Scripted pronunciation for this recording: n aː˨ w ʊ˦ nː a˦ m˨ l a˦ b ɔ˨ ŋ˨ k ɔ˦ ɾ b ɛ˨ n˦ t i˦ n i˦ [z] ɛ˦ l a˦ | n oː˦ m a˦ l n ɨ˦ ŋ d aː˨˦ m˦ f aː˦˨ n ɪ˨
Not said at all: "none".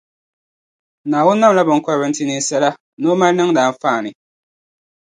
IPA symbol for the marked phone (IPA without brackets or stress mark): s